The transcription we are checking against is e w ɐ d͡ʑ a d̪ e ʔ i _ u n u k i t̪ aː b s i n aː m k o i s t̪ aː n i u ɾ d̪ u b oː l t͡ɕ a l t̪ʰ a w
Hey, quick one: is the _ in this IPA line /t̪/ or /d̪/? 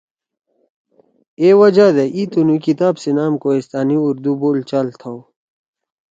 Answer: t̪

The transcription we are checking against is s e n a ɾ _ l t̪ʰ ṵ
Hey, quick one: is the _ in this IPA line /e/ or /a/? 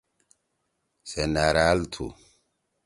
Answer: a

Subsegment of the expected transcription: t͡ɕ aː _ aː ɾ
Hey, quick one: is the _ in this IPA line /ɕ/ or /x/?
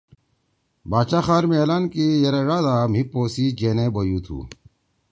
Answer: x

